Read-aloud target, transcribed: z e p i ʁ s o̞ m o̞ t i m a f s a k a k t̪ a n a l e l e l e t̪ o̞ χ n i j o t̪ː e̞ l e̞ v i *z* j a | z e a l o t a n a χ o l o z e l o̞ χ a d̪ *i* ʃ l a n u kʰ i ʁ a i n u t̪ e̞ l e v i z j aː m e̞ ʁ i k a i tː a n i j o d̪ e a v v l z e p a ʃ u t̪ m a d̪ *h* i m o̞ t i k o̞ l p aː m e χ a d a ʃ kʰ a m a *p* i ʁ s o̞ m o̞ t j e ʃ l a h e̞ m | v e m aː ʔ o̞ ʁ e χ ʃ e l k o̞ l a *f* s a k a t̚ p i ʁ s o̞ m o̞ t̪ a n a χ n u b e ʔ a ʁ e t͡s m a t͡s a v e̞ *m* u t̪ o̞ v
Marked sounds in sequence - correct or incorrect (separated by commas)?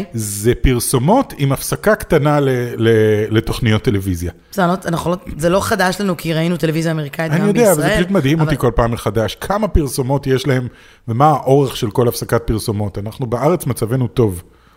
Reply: correct, incorrect, correct, correct, correct, incorrect